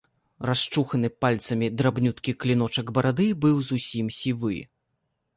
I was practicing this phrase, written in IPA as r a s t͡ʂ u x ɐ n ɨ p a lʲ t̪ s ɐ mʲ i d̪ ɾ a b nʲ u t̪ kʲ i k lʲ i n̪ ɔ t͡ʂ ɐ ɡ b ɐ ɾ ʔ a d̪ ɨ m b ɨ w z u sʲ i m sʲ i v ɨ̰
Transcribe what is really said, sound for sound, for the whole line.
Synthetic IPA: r a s t͡ʂ u x ɐ n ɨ p a lʲ t̪ s ɐ mʲ i d̪ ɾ a b nʲ u t̪ kʲ i k lʲ i n̪ ɔ t͡ʂ ɐ ɡ b ɐ ɾ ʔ a d̪ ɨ b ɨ w z u sʲ i m sʲ i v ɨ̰